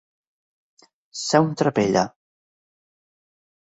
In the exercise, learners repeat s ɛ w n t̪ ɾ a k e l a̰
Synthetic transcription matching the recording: s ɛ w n t̪ ɾ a p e ʎ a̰

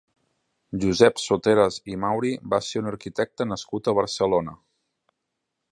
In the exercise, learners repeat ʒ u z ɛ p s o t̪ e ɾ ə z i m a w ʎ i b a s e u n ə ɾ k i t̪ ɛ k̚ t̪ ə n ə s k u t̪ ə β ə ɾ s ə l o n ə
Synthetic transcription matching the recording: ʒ u z ɛ p s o t̪ e ɾ ə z i m a w ɾ i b a s e u n ə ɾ k i t̪ ɛ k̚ t̪ ə n ə s k u t̪ ə β ə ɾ s ə l o n ə

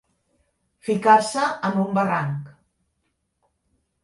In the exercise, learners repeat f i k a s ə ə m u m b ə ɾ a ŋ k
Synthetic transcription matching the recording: f i k a s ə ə m u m b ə r a ŋ k

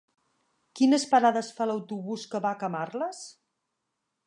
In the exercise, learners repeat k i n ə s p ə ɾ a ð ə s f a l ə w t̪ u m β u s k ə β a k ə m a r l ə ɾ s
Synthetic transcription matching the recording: k i n ə s p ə ɾ a ð ə s f a l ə w t̪ u β u s k ə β a k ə m a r l ə s

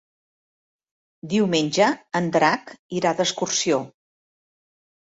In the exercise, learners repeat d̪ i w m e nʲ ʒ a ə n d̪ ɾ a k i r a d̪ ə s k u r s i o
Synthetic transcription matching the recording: d̪ i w m e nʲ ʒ ə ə n d̪ ɾ a k i ɾ a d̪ ə s k u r s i o

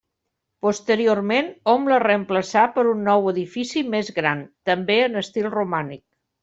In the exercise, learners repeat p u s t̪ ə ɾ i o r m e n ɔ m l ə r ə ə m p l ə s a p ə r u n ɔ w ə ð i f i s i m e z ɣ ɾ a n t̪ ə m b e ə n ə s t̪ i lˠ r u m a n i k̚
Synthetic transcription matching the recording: p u s t̪ ə ɾ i o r m e n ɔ m l ə r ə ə m p l ə s a p ə ɾ u nː ɔ w ə ð i f i s i m e z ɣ ɾ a n t̪ ə m b e ə n ə s t̪ i lˠ r u m a n i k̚

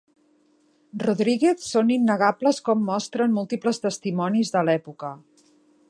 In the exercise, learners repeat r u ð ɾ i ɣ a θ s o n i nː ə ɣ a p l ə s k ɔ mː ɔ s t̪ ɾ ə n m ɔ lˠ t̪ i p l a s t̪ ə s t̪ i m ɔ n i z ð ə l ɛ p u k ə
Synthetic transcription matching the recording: r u ð ɾ i ɣ e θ s o n i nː ə ɣ a p l ə s k ɔ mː ɔ s t̪ ɾ ə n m u lˠ t̪ i p l ə s t̪ ə s t̪ i m ɔ n i z ð ə l ɛ p u k ə

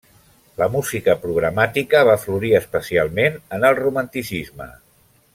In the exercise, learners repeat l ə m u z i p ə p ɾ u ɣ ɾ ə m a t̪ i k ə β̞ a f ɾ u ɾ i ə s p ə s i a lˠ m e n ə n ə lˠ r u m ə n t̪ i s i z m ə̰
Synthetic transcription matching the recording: l ə m u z i k ə p ɾ u ɣ ɾ ə m a t̪ i k ə β̞ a f l u ɾ i ə s p ə s i a lˠ m e n ə n ə lˠ r u m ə n t̪ i s i z m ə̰

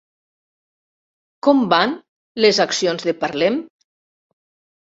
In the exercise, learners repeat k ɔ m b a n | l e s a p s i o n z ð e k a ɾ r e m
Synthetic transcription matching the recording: k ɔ m b a n | l e z a k s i o n z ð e p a ɾ l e m

